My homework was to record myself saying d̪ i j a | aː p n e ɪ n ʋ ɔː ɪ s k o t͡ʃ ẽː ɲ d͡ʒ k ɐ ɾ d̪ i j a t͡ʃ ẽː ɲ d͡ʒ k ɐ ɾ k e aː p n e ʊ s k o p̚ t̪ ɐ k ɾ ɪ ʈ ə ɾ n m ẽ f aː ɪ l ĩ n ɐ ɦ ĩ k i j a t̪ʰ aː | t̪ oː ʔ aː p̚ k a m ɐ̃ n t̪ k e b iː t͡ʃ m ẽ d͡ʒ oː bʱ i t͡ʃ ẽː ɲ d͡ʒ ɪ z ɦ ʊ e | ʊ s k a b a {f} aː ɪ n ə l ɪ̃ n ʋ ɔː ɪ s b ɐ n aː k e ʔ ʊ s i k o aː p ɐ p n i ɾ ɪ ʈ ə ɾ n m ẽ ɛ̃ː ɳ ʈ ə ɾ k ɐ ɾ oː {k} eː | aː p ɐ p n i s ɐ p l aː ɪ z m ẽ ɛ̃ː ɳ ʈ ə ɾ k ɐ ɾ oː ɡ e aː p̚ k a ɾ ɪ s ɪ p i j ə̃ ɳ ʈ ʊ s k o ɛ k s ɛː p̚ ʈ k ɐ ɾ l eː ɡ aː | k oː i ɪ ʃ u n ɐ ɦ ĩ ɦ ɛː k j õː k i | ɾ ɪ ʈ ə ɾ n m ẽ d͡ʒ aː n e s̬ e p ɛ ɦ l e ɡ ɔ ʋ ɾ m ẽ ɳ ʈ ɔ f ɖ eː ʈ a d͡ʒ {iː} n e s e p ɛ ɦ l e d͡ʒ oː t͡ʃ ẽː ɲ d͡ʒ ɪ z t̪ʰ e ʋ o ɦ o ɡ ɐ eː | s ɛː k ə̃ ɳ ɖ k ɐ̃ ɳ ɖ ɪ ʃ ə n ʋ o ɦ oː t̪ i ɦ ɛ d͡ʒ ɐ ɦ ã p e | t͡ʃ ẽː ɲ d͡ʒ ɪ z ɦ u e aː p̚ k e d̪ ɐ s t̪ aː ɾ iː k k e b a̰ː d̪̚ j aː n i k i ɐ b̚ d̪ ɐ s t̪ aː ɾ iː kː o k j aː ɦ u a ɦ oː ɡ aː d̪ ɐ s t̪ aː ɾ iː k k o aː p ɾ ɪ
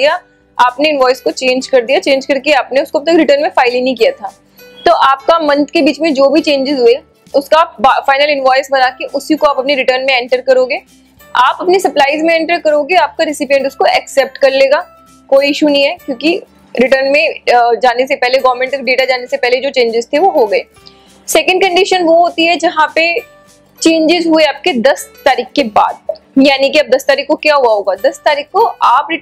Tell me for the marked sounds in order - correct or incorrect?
correct, incorrect: ɡ, incorrect: aː

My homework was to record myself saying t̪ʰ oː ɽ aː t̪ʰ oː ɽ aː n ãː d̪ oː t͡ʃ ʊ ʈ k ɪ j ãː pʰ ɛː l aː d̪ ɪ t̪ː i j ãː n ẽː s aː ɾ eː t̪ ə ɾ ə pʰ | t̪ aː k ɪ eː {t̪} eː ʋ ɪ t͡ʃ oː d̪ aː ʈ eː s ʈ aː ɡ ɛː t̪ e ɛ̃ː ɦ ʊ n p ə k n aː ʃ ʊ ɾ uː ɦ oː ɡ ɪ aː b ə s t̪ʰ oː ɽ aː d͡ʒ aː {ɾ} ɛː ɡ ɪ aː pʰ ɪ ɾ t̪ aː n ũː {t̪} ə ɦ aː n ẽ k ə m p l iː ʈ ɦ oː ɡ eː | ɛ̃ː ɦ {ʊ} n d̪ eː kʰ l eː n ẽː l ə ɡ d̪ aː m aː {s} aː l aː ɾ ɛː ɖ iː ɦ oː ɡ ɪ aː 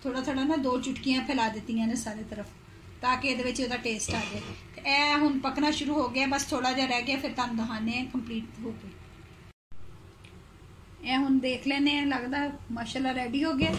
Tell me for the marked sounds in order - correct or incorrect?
incorrect: d̪, correct, incorrect: d̪, correct, incorrect: ʃ

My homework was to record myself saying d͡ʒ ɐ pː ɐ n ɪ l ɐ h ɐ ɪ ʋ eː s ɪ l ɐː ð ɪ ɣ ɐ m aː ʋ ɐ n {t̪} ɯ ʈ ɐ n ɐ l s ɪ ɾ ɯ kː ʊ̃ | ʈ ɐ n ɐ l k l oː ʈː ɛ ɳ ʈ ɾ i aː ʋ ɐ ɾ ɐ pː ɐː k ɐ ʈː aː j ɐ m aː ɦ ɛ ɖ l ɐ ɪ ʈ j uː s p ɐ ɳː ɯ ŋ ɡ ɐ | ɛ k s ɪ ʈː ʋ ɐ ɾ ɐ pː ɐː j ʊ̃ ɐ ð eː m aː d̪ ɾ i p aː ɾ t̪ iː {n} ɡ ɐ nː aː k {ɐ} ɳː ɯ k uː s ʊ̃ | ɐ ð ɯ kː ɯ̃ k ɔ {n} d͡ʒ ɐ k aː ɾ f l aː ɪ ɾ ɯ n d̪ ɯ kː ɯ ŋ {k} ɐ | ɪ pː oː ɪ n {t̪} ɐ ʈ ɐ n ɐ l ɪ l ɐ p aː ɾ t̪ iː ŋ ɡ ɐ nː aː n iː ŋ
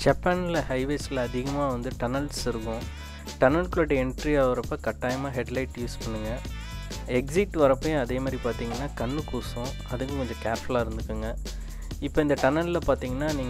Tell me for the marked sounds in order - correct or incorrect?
incorrect: d̪, incorrect: ŋ, correct, incorrect: ɲ, incorrect: ɡ, incorrect: d̪

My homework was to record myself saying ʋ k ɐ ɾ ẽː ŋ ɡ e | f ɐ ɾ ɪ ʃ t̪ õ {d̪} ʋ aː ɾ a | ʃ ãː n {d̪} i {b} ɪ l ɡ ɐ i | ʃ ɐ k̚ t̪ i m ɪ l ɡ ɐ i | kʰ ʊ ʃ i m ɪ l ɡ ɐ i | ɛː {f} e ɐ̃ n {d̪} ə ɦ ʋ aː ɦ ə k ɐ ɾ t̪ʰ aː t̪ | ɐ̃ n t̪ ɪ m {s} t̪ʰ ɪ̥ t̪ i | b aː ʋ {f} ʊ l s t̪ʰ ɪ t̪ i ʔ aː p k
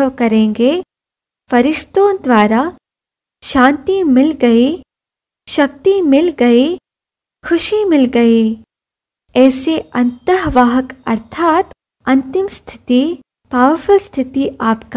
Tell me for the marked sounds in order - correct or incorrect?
correct, incorrect: t̪, incorrect: m, incorrect: s, incorrect: t̪, correct, correct

